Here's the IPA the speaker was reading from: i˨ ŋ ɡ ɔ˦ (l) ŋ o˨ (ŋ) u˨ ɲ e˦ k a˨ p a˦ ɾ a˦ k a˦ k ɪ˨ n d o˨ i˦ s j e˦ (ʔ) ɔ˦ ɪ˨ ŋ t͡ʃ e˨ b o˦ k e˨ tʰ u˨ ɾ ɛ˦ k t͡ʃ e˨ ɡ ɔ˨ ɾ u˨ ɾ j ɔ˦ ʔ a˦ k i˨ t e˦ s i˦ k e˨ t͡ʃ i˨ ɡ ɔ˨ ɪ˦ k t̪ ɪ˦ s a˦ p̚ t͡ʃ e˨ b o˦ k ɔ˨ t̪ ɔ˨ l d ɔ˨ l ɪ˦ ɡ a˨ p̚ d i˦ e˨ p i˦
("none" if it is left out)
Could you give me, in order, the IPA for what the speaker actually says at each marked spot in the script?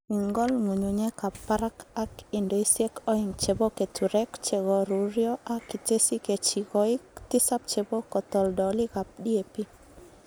l, ɲ, k

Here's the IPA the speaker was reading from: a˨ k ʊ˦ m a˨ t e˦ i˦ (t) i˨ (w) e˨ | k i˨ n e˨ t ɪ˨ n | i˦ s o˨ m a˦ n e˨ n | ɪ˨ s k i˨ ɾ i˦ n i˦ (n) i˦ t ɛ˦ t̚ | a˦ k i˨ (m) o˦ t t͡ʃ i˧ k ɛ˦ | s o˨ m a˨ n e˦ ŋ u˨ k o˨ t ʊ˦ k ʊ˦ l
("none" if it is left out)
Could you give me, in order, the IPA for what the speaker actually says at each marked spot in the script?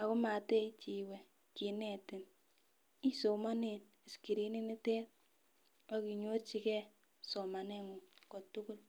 t͡ʃ, w, n, ɲ

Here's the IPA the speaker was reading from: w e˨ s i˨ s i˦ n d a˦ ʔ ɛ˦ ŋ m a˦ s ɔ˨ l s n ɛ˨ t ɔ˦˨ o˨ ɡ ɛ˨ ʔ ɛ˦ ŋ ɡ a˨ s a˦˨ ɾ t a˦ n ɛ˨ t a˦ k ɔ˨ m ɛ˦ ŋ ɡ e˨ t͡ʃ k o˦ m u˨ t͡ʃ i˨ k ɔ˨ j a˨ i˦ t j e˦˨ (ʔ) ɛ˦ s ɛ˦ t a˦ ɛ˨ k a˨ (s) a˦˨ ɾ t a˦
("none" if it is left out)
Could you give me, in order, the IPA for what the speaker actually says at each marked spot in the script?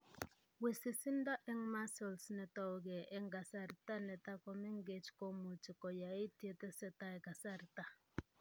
t, s

